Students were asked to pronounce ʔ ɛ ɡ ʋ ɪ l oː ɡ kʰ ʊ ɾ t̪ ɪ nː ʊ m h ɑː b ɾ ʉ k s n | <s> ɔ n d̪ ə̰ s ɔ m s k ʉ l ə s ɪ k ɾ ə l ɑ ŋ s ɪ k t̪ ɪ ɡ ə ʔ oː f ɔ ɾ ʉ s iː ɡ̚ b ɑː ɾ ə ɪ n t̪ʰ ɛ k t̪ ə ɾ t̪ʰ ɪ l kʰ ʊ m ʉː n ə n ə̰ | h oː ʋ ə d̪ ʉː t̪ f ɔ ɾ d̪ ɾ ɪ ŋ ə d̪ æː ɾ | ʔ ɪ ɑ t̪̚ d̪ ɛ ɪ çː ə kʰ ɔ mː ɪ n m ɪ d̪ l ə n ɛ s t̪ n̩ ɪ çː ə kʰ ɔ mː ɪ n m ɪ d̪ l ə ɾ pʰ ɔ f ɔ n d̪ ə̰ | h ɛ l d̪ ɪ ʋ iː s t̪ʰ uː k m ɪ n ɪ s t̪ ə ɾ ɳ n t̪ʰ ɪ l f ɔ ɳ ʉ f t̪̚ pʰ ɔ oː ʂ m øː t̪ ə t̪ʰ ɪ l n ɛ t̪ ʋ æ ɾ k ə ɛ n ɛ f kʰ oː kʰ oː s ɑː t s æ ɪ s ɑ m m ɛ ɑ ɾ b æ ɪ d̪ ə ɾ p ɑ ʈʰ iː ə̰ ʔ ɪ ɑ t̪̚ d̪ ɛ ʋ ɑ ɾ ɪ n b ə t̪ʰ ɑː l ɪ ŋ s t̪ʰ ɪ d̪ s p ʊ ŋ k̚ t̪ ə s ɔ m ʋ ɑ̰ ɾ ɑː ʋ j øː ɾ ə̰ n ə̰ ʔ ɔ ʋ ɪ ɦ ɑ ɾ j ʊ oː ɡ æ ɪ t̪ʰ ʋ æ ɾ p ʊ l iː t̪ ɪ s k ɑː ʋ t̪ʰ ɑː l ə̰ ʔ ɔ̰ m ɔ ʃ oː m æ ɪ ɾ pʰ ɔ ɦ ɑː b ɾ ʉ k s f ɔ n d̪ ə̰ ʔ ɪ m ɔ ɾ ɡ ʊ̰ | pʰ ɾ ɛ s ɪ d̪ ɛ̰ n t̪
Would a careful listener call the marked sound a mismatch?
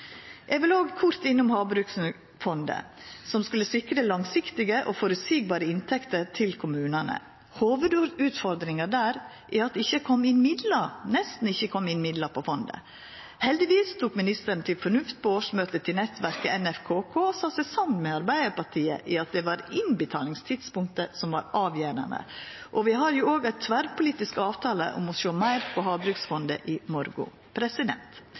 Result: yes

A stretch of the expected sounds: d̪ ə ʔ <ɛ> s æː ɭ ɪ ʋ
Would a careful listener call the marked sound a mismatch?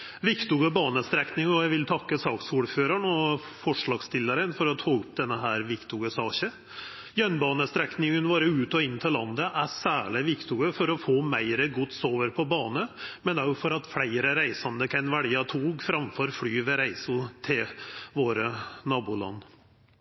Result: yes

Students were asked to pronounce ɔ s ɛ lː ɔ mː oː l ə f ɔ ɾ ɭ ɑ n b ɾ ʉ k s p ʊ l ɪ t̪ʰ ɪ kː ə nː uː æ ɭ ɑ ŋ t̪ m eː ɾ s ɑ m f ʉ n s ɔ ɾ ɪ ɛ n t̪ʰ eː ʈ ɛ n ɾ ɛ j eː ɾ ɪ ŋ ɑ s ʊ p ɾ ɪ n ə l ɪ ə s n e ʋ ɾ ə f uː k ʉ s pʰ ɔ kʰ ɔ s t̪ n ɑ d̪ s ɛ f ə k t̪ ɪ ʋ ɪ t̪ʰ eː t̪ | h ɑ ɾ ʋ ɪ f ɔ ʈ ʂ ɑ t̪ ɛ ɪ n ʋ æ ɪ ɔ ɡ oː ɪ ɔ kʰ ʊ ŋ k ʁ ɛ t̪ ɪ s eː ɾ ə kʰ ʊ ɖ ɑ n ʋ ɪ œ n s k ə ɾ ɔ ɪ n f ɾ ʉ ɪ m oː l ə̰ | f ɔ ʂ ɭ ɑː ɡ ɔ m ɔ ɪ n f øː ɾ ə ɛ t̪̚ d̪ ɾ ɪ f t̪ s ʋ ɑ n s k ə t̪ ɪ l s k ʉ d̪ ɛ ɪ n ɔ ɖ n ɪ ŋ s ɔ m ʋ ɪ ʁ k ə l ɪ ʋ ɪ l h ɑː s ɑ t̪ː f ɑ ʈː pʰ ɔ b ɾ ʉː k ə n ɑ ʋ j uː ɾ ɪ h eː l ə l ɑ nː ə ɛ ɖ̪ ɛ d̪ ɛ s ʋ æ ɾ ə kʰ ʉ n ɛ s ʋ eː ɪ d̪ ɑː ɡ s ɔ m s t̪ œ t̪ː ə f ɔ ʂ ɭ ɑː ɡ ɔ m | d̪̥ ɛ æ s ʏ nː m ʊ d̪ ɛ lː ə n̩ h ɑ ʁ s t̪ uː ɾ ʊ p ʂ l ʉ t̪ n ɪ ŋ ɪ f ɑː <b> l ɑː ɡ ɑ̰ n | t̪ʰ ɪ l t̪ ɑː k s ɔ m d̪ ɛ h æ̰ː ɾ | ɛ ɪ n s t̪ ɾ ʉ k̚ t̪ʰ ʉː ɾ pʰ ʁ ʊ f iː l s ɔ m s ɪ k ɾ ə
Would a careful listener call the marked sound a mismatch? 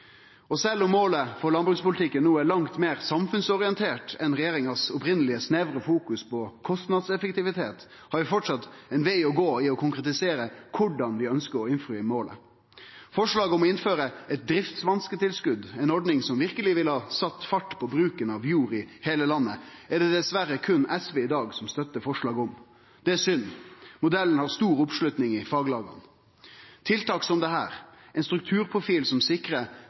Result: yes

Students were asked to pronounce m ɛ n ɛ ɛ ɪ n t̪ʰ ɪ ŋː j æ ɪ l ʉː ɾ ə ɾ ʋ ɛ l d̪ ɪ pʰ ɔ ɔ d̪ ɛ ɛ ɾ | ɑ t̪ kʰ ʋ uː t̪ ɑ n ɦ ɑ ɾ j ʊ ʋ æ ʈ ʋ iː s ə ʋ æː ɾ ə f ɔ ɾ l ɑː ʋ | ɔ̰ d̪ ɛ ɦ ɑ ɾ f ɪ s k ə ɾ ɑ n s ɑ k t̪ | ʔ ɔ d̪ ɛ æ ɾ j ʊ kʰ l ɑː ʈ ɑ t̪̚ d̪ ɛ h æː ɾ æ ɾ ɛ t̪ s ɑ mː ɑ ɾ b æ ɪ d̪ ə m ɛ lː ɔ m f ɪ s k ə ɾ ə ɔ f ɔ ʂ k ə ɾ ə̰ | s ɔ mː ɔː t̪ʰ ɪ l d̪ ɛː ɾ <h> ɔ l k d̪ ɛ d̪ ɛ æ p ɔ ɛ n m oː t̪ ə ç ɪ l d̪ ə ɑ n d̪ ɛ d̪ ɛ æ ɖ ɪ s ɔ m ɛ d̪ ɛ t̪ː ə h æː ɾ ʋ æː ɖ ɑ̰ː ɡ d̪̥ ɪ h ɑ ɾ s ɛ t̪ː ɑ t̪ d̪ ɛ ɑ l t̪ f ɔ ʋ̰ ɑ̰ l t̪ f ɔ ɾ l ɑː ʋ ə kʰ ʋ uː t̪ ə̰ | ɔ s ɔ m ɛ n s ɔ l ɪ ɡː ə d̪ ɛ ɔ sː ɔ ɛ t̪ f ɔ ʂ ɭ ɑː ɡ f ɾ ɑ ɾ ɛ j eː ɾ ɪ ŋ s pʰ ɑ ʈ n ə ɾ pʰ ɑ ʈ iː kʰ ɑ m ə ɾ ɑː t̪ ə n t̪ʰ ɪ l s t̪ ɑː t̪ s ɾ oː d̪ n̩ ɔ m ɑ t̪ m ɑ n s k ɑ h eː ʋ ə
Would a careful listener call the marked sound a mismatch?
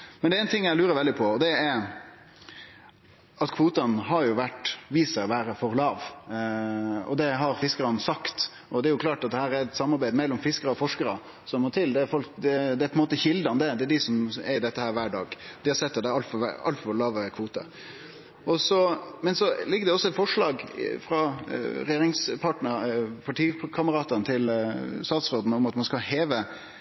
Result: yes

